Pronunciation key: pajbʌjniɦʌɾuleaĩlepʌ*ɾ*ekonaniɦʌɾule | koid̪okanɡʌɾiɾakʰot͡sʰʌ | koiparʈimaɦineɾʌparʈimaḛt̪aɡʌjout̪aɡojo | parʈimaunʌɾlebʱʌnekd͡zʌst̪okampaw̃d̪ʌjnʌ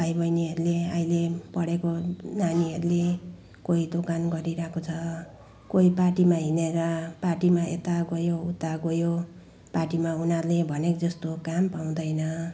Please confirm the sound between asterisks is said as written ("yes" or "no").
no